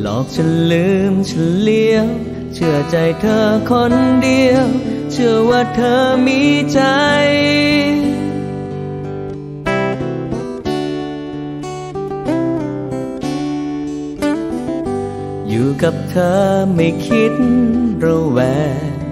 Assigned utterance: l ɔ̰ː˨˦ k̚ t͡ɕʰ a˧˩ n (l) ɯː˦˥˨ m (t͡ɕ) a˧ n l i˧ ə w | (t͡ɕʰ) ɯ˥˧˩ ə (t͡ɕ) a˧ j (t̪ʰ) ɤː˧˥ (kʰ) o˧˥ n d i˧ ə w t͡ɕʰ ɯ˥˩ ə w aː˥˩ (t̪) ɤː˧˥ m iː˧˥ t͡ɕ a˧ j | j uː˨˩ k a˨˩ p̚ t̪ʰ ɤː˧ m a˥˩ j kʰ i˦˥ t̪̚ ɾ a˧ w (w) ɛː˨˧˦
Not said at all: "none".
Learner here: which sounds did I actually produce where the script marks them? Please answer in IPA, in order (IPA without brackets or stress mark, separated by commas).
l, t͡ɕʰ, t͡ɕʰ, t͡ɕ, t̪ʰ, kʰ, t̪ʰ, w